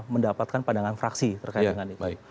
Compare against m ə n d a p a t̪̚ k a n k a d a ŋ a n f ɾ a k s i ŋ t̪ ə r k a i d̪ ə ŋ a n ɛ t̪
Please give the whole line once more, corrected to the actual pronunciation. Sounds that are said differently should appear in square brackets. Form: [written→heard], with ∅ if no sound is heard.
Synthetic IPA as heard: m ə n d a p a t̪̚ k a n [k→p] a d a ŋ a n f ɾ a k s i [ŋ→∅] t̪ ə r k a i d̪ ə ŋ a n [ɛ→i] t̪